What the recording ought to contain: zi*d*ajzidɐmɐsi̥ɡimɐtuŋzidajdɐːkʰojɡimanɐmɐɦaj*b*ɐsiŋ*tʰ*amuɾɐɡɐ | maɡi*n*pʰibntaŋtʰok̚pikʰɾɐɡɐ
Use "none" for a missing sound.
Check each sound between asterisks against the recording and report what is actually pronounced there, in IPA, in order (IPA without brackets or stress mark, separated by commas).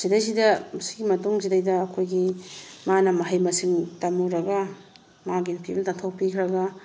d, m, t, n